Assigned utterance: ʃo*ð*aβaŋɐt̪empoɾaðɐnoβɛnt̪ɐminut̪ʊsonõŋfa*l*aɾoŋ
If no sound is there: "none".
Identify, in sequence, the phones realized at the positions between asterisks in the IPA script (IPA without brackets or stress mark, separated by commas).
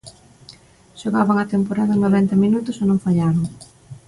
ɣ, ʎ